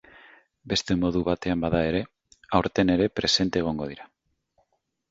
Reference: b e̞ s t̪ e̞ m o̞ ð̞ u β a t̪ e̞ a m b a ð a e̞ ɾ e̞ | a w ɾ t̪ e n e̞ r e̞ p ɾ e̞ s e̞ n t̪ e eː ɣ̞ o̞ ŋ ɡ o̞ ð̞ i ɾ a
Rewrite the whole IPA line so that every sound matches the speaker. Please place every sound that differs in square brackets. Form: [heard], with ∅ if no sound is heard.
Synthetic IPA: b e̞ s t̪ e̞ m o̞ ð̞ u β a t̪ e̞ a m b a ð a e̞ ɾ e̞ | a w ɾ t̪ e n e̞ [ɾ] e̞ p ɾ e̞ s e̞ n t̪ e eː ɣ̞ o̞ ŋ ɡ o̞ ð̞ i ɾ a